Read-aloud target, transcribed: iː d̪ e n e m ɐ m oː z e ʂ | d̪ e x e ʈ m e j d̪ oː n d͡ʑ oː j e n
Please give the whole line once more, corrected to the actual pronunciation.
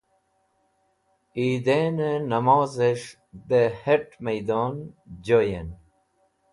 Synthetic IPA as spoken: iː d̪ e n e n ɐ m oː z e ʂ | d̪ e h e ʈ m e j d̪ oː n d͡ʑ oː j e n

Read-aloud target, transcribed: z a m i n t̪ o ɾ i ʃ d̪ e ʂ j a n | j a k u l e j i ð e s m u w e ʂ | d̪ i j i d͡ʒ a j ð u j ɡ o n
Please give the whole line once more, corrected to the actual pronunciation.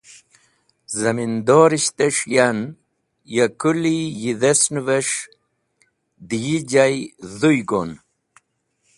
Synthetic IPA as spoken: z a m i n d̪ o ɾ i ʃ t̪ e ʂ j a n | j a k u l i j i ð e s n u v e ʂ | d̪ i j i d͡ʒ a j ð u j ɡ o n

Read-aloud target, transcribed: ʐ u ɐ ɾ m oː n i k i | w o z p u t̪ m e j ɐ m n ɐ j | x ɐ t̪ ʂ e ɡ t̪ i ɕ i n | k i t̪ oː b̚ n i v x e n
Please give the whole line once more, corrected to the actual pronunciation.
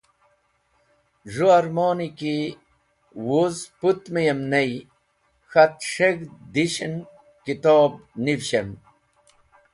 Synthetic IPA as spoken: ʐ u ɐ ɾ m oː n i k i | w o z p u t̪ m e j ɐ m n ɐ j | x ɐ t̪ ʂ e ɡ d̪ i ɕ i n | k i t̪ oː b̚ n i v ɕ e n

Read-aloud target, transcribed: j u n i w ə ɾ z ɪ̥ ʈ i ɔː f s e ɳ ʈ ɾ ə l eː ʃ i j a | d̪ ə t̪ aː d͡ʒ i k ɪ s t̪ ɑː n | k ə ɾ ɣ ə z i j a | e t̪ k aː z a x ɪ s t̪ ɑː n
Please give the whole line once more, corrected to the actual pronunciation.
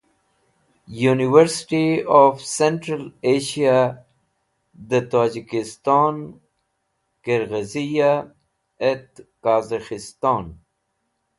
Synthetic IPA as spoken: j u n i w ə ɾ s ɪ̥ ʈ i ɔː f s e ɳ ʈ ɾ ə l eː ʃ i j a | d̪ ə t̪ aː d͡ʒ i k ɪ s t̪ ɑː n | k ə ɾ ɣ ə z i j a | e t̪ k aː z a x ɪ s t̪ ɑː n

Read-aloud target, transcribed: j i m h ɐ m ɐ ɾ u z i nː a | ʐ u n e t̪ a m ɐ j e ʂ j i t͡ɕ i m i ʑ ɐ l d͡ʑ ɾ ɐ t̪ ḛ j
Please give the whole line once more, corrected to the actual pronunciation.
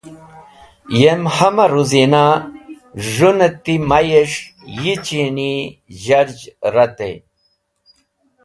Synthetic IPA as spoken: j e m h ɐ m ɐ ɾ u z i n a | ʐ u n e t̪ i m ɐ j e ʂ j i t͡ɕ i n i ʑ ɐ ɾ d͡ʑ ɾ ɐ t̪ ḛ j

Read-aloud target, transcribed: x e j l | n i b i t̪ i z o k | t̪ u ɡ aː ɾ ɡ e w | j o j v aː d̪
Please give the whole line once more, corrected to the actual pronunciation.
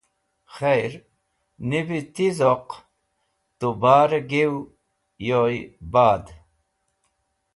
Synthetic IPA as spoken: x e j ɾ | n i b i t̪ i z o q | t̪ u b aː ɾ ɡ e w | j o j b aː d̪

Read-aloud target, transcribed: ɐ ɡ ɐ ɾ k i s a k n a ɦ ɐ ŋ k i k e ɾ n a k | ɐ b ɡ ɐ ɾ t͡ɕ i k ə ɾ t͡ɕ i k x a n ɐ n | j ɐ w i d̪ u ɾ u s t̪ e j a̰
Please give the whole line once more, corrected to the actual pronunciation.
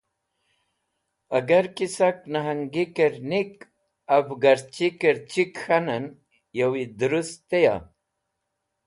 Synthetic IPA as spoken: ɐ ɡ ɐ ɾ k i s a k n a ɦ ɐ ŋ ɡ i k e ɾ n i k | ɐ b ɡ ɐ ɾ t͡ɕ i k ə ɾ t͡ɕ i k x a n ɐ n | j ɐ w i d̪ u ɾ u s t̪ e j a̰

